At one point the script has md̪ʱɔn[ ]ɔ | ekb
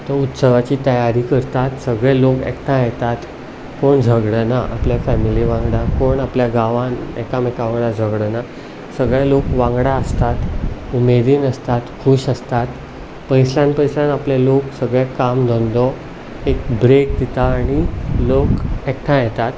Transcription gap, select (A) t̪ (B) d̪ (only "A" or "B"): B